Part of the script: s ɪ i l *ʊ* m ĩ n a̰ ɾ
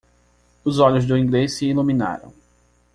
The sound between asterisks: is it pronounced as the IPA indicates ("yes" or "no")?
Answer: no